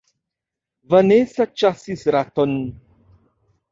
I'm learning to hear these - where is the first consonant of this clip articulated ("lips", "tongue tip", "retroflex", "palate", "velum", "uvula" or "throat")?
lips